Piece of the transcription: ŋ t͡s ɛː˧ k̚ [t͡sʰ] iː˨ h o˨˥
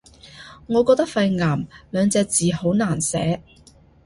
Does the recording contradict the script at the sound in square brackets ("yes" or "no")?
yes